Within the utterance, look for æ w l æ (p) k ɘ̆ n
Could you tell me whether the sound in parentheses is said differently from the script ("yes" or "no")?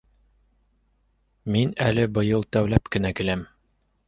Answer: no